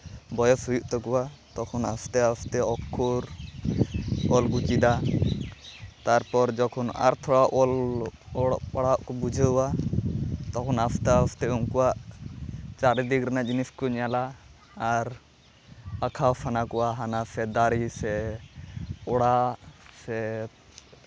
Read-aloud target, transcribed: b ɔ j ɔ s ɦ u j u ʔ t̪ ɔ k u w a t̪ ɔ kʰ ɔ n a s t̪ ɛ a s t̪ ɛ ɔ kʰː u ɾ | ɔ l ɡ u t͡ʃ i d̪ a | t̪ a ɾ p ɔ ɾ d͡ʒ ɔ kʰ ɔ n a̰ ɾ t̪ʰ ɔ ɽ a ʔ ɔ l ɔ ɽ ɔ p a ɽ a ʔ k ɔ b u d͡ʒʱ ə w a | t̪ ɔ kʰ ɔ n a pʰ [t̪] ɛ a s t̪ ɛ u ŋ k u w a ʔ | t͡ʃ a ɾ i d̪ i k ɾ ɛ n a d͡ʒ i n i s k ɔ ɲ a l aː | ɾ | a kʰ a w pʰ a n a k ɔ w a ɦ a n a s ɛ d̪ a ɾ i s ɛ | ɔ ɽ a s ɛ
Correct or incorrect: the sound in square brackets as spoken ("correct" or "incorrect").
correct